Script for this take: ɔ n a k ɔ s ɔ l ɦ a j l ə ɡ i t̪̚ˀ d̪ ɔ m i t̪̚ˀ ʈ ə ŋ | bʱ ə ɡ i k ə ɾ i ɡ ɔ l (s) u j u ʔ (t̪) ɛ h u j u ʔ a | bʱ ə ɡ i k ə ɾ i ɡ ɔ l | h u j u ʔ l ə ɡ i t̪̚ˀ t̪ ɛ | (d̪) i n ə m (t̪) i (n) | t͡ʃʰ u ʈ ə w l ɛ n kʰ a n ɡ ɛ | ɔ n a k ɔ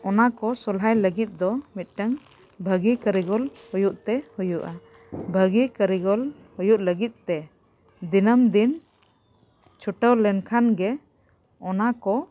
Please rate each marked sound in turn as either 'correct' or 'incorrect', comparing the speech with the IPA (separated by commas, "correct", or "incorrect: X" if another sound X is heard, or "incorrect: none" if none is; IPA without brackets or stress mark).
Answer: incorrect: h, correct, correct, incorrect: d̪, correct